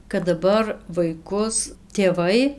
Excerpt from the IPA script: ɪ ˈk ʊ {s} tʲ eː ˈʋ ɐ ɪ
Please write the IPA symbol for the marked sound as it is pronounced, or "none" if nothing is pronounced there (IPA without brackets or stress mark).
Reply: s